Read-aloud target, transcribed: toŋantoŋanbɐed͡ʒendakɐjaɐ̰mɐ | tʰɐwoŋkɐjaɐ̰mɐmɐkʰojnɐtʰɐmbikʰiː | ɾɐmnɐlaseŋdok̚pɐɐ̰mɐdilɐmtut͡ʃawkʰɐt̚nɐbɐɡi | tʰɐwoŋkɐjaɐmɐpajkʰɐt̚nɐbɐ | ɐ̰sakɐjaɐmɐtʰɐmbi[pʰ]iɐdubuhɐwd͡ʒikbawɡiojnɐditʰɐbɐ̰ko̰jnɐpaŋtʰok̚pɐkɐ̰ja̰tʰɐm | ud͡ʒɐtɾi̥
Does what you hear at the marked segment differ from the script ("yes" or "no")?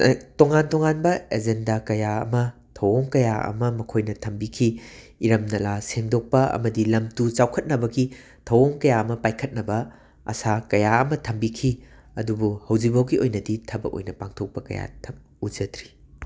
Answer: yes